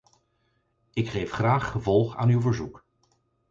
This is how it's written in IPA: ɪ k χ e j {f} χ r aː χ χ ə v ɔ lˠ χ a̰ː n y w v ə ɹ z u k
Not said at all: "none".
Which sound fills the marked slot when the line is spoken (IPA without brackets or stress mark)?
f